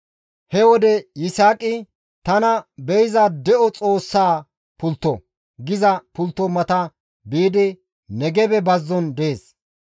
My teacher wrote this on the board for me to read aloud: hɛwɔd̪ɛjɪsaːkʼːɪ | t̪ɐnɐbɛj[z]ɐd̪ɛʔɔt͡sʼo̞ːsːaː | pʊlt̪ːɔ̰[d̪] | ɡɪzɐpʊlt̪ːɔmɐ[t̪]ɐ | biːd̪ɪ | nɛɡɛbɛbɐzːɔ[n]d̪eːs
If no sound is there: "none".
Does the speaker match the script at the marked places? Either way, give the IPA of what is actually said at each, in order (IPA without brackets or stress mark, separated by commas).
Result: z, none, t̪, n